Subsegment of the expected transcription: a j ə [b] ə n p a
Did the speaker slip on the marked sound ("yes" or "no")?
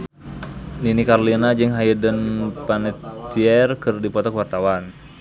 yes